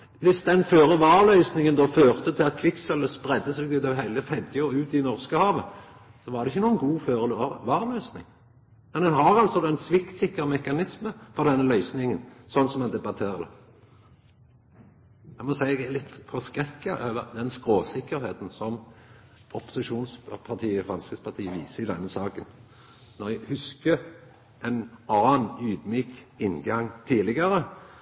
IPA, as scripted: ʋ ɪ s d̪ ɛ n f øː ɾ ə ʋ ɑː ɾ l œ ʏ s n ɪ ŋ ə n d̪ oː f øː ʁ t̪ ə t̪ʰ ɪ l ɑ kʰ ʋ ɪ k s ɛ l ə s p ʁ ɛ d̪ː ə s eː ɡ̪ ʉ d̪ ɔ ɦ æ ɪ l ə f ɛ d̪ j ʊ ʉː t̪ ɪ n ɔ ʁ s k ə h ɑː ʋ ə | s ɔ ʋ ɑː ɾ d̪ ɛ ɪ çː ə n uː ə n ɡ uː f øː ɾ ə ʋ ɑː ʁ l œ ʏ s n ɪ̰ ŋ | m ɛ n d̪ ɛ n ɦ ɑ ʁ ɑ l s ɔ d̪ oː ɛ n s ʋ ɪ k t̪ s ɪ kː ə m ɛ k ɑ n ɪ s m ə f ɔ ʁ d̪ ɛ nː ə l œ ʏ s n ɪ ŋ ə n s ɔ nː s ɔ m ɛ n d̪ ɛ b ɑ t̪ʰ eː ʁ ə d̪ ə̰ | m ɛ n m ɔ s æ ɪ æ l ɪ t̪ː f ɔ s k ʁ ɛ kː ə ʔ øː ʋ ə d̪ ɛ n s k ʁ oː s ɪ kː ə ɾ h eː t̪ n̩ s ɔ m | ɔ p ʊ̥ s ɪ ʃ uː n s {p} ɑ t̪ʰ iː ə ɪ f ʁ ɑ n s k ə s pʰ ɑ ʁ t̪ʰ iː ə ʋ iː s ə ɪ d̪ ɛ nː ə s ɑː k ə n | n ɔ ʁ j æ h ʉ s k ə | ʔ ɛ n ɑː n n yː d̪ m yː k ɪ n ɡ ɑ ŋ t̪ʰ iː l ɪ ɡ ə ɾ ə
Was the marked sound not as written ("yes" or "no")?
yes